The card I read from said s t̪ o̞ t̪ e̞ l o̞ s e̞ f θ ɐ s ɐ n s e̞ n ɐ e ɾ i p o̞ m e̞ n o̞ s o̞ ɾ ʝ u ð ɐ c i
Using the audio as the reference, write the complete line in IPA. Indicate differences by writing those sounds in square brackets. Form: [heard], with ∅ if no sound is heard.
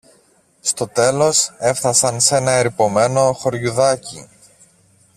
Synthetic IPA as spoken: s t̪ o̞ t̪ e̞ l o̞ s e̞ f θ ɐ s ɐ n s e̞ n ɐ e ɾ i p o̞ m e̞ n o̞ [x] o̞ ɾ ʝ u ð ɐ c i